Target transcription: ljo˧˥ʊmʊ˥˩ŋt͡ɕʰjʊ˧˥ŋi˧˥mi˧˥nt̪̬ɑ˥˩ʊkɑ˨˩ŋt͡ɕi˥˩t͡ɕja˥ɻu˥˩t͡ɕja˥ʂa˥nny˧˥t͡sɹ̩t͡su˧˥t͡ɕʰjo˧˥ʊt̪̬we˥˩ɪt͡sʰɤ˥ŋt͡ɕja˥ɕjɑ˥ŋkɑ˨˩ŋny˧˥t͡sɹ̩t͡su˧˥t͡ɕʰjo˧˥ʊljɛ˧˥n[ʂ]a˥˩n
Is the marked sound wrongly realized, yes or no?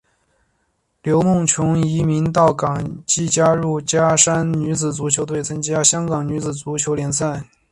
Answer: yes